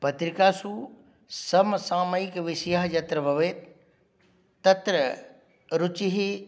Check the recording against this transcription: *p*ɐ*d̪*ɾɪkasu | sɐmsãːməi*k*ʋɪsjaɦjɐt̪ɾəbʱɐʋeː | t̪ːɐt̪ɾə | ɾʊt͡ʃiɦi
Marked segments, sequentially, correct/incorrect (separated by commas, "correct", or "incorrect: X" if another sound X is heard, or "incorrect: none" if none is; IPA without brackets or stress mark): correct, incorrect: t̪, correct